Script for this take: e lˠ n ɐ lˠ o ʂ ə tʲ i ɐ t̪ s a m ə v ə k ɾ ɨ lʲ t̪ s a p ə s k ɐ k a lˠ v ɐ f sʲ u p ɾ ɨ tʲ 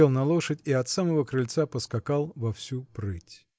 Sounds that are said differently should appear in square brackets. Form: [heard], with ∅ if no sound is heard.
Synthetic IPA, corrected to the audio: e lˠ n ɐ lˠ o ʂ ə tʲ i ɐ t̪ s a m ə v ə k ɾ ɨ lʲ t̪ s a p ə s k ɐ k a lˠ v ɐ f sʲ u p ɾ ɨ tʲ